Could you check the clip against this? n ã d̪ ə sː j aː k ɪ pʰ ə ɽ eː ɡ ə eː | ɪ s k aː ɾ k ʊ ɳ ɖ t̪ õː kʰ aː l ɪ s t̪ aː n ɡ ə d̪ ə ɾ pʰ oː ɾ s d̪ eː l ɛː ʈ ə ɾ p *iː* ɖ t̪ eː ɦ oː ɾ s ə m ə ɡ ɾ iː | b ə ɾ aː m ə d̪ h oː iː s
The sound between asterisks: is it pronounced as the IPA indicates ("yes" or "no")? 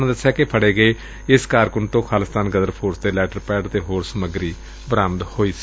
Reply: no